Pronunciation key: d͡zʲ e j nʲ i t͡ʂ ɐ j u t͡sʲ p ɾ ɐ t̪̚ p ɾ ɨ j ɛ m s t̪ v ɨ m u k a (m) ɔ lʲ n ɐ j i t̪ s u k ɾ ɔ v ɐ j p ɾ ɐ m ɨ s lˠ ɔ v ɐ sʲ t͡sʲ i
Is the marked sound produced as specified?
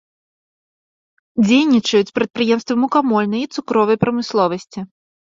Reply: yes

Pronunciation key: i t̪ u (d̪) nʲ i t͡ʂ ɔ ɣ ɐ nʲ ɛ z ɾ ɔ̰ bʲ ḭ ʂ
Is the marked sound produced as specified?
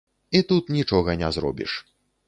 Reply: no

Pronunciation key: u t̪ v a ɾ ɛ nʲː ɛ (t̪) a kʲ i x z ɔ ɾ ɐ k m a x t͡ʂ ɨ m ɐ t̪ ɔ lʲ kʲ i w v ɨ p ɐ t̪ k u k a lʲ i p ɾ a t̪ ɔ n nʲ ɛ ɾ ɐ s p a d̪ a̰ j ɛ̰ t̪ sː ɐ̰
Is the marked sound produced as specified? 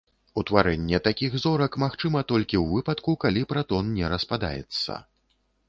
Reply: yes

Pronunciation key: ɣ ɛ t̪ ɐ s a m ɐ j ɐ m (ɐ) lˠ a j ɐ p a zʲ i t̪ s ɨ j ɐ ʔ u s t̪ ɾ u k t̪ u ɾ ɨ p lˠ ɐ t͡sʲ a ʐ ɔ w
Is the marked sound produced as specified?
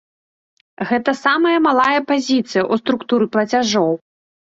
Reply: no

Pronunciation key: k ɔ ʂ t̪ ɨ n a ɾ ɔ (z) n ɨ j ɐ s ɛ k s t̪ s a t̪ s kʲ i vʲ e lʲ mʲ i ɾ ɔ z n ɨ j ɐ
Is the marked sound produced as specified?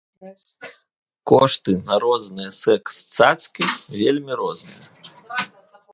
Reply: yes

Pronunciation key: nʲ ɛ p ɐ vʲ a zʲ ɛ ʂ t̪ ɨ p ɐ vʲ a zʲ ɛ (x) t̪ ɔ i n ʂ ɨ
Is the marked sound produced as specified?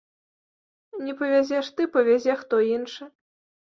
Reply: yes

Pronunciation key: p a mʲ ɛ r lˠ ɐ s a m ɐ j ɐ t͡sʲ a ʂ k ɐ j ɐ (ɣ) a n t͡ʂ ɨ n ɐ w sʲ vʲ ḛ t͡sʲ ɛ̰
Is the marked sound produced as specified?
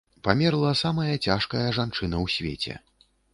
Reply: no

